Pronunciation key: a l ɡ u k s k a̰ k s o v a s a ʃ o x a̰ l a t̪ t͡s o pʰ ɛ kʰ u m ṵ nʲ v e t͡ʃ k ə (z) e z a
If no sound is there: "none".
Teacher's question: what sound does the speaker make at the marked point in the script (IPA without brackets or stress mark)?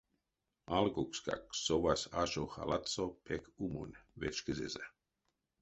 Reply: z